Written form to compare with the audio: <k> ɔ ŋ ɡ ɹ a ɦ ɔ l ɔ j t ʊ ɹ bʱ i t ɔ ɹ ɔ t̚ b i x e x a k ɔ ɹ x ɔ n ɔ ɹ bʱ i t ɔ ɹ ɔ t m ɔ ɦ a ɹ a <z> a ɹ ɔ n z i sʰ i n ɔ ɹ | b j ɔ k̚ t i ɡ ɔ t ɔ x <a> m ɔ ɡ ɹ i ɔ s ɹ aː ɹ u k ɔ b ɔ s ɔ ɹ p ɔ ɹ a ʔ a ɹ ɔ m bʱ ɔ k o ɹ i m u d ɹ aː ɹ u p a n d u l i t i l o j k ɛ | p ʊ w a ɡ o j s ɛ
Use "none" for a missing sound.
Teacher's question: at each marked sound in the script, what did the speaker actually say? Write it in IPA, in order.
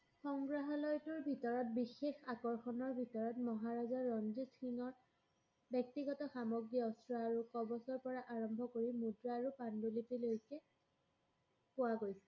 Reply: x, z, a

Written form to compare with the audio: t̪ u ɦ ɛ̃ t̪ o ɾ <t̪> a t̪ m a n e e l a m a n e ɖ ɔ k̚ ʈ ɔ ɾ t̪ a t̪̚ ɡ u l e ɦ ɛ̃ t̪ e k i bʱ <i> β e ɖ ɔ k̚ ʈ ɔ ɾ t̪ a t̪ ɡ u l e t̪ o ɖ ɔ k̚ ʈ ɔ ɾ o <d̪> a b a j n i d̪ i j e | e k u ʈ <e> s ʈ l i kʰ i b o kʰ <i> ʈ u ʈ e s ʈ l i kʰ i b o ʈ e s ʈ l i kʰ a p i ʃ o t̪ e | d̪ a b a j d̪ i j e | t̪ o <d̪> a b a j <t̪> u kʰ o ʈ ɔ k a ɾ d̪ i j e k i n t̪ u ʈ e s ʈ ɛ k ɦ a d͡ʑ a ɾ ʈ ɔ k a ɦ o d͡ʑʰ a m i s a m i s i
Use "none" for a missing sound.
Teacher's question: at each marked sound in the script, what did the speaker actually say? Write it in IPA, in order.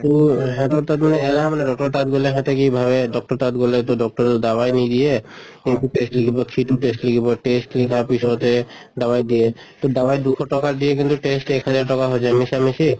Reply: t̪, a, d̪, e, i, d̪, d̪

